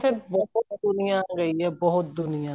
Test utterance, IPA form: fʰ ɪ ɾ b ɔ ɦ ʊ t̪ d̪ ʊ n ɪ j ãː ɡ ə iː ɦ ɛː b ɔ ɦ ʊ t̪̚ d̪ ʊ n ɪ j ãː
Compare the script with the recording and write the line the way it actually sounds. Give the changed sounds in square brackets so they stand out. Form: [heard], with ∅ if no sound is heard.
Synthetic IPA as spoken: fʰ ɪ ɾ b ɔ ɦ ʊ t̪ d̪ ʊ n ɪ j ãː ɡ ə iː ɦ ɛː b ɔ ɦ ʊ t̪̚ d̪ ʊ n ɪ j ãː